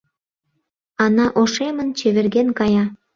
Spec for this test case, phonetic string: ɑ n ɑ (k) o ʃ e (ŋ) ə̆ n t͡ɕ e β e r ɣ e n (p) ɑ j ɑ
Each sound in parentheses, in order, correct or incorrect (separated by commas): incorrect, incorrect, incorrect